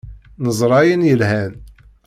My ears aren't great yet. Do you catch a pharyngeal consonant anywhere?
no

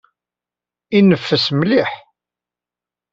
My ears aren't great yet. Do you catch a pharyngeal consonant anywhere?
yes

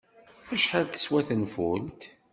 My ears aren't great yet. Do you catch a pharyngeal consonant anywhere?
yes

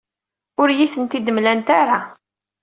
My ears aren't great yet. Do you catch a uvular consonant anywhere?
no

